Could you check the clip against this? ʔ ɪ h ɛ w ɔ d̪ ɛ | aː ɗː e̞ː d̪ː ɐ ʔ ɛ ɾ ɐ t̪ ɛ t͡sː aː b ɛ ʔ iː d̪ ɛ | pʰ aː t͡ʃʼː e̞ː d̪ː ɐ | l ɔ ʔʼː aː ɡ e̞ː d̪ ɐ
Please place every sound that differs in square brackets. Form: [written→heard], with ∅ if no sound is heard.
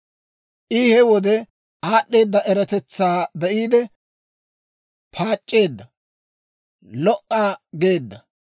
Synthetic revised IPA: ʔ ɪ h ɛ w ɔ d̪ ɛ | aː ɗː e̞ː d̪ː ɐ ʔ ɛ ɾ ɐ t̪ ɛ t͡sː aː b ɛ ʔ iː d̪ ɛ | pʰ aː t͡ʃʼː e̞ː d̪ː ɐ | l ɔ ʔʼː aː ɡ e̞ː [d̪→d̪ː] ɐ